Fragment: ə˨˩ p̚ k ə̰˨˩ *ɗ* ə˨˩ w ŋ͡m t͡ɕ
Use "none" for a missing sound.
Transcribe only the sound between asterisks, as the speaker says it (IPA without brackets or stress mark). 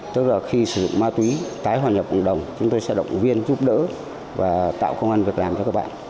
ɗ